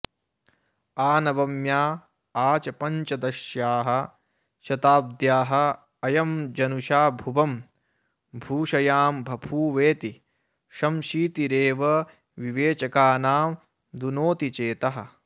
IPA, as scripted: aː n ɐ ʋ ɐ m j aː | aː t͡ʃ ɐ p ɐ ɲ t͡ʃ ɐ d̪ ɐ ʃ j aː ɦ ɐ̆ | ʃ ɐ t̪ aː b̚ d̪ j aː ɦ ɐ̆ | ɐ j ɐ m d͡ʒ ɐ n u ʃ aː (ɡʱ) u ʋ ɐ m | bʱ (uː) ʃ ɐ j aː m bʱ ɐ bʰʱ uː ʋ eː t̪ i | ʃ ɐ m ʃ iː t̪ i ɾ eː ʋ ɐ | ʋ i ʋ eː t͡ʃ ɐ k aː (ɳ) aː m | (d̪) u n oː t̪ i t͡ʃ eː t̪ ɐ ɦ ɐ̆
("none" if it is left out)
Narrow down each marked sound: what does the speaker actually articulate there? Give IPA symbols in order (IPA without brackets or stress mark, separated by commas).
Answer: bʱ, uː, n, d̪